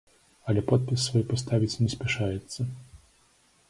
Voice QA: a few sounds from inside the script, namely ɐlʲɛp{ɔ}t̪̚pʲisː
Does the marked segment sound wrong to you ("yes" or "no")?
no